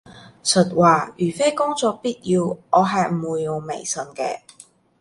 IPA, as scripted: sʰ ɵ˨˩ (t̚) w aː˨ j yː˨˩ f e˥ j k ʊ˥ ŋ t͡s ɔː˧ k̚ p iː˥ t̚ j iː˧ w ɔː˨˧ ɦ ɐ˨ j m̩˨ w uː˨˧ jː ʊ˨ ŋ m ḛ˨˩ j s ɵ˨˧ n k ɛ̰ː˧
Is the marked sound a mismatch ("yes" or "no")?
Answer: no